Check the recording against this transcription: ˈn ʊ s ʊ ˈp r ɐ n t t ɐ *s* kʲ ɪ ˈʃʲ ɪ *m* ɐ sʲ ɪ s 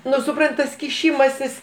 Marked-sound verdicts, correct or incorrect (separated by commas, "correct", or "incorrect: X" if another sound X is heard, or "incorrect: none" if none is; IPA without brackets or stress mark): correct, correct